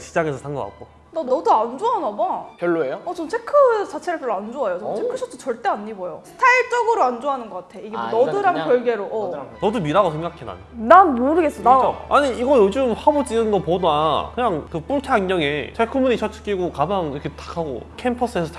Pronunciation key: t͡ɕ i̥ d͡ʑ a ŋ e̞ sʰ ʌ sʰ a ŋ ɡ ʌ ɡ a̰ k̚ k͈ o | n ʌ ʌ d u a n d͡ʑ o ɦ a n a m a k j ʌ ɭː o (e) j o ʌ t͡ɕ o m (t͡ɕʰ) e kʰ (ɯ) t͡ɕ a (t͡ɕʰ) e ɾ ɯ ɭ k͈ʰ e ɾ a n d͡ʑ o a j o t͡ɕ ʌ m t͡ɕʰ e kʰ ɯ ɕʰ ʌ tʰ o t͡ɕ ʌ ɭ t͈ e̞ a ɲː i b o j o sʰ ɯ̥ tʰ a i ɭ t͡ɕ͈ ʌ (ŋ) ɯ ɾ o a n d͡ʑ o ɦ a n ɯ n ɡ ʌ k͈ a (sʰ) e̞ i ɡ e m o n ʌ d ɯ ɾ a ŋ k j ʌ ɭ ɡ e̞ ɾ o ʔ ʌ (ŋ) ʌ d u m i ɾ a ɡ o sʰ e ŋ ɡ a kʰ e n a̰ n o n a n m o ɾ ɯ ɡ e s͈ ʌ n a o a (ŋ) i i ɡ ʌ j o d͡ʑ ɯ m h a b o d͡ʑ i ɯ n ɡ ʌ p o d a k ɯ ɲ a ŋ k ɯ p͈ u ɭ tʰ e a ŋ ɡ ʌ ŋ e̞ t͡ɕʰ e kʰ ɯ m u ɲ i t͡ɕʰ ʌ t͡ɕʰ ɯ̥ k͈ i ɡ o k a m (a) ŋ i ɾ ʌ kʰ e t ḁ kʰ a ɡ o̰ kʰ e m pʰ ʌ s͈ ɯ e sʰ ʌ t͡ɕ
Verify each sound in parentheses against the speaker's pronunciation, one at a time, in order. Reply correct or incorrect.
correct, correct, correct, correct, incorrect, incorrect, incorrect, incorrect, correct

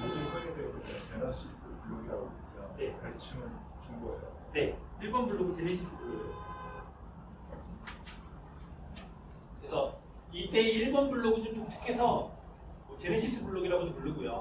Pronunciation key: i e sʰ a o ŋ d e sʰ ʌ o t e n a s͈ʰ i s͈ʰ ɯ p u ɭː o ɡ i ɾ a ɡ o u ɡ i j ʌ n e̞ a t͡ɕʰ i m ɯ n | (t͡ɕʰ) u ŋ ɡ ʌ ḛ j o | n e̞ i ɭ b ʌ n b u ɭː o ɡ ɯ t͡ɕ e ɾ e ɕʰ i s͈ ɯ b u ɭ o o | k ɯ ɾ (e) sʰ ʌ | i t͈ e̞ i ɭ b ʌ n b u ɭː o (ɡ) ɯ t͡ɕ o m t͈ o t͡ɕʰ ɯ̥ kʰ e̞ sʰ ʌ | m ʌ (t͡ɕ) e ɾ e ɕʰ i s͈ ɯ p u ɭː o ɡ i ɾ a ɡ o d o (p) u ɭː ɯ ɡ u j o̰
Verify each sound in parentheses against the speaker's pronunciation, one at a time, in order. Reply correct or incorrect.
incorrect, correct, correct, correct, correct

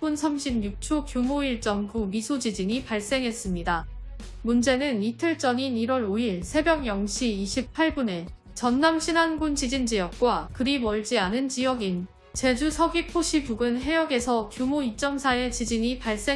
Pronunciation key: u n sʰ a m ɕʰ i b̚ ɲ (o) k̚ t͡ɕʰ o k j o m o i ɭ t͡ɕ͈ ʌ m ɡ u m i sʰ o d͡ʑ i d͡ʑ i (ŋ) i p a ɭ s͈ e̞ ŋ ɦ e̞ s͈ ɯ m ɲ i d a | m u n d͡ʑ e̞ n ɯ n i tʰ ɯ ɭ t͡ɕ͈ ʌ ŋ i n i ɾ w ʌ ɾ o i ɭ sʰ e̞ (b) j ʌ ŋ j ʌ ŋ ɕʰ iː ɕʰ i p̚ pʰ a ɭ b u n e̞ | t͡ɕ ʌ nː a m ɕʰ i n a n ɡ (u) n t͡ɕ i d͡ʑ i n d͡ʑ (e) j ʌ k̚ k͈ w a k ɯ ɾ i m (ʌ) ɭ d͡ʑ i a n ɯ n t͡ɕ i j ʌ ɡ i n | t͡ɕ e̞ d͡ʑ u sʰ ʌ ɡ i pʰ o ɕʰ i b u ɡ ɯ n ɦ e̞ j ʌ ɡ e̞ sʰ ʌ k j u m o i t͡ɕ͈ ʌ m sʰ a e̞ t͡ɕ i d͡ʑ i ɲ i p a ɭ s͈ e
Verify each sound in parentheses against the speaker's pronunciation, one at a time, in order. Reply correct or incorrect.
incorrect, incorrect, correct, correct, incorrect, correct

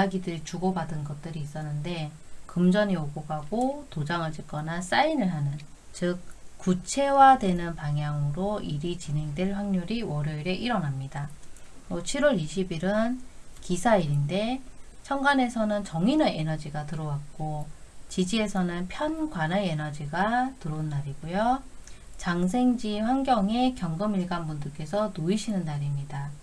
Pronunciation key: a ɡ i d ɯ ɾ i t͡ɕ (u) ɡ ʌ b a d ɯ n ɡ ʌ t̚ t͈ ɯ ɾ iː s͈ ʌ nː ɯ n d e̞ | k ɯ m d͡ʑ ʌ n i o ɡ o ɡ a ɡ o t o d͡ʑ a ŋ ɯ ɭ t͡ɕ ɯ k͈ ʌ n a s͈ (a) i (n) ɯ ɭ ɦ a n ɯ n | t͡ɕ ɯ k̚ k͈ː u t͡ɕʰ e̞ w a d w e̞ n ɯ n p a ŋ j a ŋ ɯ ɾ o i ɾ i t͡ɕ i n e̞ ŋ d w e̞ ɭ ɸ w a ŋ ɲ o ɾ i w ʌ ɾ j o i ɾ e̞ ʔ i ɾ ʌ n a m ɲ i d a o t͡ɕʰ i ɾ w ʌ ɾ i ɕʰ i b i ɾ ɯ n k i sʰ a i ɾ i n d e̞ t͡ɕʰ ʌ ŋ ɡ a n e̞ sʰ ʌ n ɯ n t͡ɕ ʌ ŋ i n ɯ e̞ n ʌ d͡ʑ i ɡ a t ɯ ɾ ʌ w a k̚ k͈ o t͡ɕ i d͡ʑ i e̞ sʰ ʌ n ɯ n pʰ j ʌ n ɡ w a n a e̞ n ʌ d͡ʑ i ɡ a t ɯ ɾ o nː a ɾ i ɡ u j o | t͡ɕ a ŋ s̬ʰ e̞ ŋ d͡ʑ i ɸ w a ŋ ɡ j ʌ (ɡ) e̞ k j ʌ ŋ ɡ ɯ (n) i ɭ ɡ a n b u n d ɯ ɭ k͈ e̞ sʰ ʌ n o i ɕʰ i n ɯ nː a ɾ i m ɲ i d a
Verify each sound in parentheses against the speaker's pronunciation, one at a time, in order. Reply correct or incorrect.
correct, correct, correct, incorrect, incorrect

